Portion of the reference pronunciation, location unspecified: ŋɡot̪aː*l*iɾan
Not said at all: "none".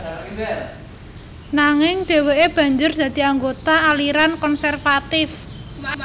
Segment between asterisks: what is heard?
l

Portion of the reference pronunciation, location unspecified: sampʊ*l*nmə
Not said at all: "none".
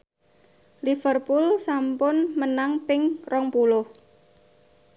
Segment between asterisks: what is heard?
none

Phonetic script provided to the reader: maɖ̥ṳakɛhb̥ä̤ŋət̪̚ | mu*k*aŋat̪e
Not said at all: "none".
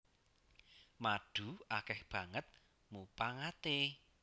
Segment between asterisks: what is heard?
p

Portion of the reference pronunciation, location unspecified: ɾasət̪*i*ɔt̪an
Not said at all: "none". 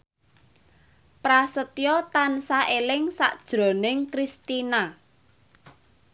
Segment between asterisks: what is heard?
j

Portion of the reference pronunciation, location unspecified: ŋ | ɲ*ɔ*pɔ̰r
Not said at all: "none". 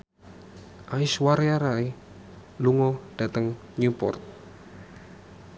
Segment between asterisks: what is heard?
u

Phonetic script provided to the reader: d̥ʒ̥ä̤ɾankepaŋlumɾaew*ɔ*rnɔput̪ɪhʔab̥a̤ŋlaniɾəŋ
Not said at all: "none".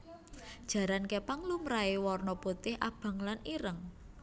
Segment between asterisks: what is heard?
ɔ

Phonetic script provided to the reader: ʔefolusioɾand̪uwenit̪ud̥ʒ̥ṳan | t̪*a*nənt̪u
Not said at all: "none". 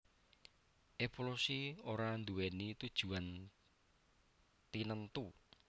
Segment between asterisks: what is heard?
i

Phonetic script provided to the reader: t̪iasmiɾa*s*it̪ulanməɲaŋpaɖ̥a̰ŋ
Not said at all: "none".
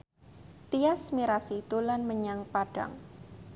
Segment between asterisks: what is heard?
s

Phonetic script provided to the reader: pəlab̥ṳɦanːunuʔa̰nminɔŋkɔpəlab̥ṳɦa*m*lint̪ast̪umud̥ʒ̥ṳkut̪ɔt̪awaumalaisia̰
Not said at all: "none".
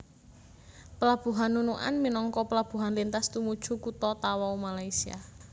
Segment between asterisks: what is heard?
n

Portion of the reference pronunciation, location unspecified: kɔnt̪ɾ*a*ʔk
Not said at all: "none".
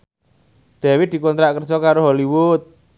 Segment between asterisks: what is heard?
a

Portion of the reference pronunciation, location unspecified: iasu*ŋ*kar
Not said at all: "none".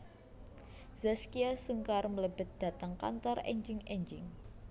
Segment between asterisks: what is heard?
ŋ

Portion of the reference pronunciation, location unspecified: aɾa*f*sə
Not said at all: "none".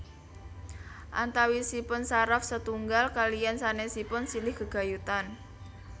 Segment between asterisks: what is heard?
f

